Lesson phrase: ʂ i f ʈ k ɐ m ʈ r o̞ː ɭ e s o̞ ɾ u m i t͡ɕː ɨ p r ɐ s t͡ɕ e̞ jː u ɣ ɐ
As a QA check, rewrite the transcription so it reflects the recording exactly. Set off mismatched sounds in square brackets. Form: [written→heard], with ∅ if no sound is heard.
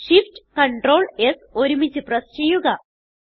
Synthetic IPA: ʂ i f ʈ k ɐ [m→ɳ] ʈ r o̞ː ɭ e s o̞ ɾ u m i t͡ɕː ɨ p r ɐ s t͡ɕ e̞ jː u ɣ ɐ